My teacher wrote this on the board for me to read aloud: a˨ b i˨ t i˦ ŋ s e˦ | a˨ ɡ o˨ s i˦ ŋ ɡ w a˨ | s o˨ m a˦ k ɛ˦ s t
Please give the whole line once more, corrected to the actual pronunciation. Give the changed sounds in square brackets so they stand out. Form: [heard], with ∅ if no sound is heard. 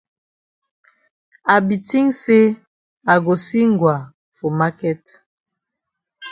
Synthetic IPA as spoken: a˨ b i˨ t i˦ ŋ s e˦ | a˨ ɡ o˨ s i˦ ŋ ɡ w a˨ | [f] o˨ m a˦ k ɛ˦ [∅] t